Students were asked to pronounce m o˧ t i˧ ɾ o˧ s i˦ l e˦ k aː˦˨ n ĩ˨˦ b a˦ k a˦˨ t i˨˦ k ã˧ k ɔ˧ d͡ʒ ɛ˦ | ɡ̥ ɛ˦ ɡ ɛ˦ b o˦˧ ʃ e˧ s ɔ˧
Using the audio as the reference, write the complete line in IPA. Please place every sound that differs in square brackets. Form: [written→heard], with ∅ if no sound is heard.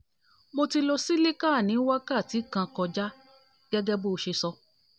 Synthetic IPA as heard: m o˧ t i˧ [ɾ→l] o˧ s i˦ l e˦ k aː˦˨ n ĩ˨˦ [b→w] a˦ k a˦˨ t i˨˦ k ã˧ k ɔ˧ d͡ʒ [ɛ˦→a˦] | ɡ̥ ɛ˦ ɡ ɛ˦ b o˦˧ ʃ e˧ s ɔ˧